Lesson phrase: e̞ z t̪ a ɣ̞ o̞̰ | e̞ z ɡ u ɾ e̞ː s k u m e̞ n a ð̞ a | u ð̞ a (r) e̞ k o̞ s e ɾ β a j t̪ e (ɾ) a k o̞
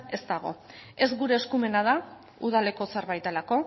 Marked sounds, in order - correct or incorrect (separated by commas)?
incorrect, incorrect